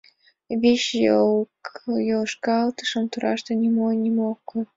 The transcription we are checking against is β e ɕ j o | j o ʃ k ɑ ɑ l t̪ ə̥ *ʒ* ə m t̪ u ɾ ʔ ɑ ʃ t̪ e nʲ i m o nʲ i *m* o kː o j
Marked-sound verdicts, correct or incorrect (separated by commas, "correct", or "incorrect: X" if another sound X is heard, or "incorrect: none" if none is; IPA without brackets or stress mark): incorrect: ʃ, correct